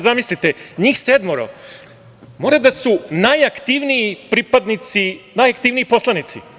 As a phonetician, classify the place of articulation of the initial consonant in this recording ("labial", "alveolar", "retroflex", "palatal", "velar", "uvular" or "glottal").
alveolar